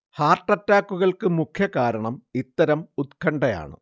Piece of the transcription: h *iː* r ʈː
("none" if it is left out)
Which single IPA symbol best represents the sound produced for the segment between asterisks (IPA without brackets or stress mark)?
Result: aː